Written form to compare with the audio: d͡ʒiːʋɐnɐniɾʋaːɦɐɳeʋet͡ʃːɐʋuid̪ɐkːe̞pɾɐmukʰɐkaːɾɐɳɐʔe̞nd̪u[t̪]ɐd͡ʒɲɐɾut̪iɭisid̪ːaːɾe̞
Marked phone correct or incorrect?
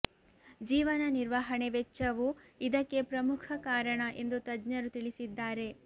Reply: correct